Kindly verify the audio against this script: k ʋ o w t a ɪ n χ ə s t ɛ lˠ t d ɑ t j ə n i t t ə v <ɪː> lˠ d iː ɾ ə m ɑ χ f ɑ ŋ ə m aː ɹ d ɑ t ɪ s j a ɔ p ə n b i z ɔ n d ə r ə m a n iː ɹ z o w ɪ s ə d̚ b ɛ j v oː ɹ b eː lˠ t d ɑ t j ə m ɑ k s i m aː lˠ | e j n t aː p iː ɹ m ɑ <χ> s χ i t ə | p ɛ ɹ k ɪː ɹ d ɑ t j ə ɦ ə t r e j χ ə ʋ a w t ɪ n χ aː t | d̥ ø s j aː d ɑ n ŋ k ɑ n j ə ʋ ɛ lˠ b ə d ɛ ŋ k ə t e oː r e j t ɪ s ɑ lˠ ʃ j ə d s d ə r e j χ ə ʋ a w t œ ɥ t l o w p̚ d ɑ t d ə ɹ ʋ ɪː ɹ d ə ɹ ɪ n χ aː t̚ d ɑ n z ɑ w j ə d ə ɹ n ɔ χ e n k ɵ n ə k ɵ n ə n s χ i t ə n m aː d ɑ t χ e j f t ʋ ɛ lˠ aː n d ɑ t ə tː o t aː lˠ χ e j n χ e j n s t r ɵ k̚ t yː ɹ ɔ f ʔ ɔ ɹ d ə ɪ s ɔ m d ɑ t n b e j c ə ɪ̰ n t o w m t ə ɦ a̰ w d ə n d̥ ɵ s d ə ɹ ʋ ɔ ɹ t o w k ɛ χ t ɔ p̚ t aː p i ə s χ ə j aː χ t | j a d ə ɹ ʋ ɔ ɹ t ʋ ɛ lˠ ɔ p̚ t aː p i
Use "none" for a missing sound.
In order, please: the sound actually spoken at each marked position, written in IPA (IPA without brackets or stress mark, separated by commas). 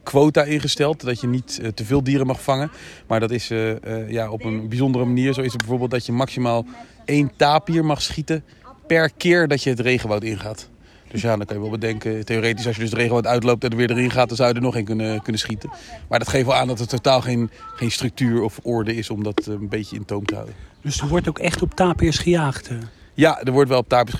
ɪː, χ